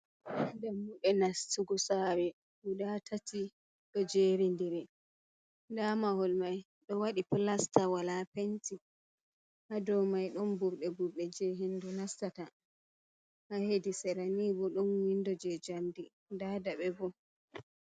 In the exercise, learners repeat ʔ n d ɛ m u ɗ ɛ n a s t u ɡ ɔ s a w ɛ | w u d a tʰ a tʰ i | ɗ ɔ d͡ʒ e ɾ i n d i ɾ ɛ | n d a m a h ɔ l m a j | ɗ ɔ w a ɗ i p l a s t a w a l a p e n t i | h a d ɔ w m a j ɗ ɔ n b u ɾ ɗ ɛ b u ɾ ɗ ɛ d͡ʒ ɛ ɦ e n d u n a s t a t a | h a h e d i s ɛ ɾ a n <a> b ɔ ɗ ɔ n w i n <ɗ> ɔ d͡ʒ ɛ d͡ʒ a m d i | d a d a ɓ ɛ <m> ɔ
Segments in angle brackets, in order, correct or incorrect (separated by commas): incorrect, incorrect, incorrect